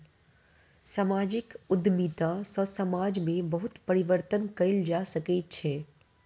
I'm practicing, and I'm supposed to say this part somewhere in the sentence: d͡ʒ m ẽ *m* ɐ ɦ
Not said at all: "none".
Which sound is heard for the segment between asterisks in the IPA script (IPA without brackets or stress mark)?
b